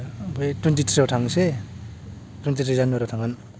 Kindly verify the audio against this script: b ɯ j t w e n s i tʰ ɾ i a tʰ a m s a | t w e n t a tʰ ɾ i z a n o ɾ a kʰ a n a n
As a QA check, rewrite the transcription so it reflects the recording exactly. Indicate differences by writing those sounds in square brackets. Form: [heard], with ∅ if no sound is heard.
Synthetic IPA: b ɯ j t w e n [t] i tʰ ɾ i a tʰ a [ŋ] s [e] | t w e n t [i] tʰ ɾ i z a n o ɾ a [tʰ] a [ŋ] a n